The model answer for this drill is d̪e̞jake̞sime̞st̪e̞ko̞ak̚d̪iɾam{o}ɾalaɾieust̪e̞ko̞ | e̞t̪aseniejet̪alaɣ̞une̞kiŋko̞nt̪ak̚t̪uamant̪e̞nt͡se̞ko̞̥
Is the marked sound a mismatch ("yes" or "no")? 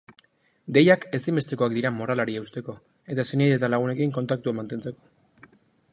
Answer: no